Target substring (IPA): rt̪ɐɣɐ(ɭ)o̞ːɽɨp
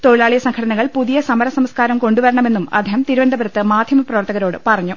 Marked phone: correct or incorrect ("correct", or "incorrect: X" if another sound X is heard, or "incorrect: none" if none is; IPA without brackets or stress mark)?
incorrect: ɾ